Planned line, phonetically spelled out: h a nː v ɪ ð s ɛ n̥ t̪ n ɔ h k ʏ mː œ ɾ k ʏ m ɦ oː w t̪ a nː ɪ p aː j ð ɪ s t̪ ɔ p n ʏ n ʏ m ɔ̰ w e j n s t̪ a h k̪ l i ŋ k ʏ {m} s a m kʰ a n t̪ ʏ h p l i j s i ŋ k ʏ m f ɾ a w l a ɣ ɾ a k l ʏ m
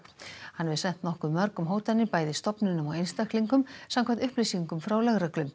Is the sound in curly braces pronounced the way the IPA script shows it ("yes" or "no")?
yes